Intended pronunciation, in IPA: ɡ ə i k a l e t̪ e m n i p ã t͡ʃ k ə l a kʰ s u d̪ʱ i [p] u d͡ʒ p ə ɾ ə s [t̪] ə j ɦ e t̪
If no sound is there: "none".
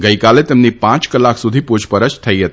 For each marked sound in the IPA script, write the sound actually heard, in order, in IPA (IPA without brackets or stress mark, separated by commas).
p, t̪ʰ